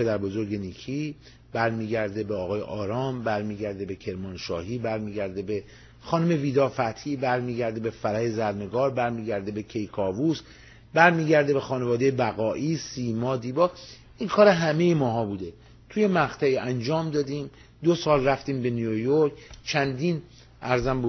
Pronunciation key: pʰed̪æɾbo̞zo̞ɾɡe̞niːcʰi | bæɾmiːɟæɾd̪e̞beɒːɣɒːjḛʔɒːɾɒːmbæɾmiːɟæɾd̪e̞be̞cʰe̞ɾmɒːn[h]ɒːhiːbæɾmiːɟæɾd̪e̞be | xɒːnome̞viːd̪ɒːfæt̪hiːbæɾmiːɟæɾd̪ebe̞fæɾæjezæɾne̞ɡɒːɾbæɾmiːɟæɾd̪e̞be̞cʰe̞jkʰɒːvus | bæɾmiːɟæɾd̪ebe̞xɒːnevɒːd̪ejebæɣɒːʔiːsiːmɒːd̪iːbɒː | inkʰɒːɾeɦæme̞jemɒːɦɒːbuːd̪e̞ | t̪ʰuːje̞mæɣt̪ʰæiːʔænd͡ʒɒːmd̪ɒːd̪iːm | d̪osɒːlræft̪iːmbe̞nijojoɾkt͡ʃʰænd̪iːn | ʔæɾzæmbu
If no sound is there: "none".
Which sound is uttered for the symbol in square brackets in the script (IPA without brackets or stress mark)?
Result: ʃ